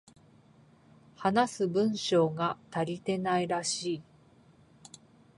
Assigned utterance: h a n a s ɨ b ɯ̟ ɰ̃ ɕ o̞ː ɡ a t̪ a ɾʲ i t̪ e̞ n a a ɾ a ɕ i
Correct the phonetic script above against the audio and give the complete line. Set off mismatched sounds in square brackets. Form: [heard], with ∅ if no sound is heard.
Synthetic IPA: h a n a s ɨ b [ɯ̟̃] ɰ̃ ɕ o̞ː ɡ a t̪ a ɾʲ i t̪ e̞ n a [i] ɾ a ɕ [iː]